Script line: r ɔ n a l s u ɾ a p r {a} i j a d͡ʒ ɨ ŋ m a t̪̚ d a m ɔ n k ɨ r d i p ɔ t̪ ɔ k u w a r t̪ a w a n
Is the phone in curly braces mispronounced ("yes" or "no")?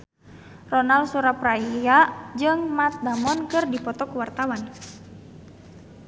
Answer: no